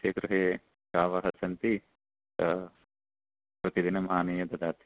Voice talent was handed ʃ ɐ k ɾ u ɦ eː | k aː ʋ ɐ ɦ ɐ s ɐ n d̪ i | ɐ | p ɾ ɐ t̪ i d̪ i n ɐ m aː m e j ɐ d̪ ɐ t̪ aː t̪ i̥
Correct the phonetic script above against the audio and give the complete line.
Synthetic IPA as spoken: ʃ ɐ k ɾ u ɦ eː | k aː ʋ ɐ ɦ ɐ s ɐ n t̪ i | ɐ | p ɾ ɐ t̪ i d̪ i n ɐ m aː n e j ɐ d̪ ɐ d̪ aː t̪ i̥